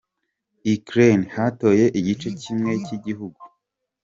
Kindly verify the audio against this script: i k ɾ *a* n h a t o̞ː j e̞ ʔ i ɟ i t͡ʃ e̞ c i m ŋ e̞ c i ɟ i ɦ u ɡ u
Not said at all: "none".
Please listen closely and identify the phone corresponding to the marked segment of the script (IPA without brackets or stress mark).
e